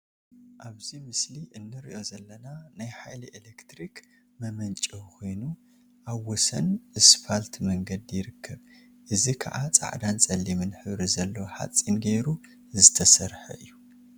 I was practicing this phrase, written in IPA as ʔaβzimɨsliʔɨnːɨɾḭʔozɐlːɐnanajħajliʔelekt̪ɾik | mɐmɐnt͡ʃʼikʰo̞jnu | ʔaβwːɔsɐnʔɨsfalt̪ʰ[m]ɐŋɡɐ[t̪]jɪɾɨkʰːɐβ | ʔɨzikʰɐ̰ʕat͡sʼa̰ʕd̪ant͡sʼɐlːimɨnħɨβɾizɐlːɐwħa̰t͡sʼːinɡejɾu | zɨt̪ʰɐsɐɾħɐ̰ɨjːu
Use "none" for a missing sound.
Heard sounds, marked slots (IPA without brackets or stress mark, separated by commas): m, d̪